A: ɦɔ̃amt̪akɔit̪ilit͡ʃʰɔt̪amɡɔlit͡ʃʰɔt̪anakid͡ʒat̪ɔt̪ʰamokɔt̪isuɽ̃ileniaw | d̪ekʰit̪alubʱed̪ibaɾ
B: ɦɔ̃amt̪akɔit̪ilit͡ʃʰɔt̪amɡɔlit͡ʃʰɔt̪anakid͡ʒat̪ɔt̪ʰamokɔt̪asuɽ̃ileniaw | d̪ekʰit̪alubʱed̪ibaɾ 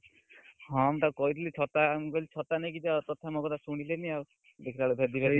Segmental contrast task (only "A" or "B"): B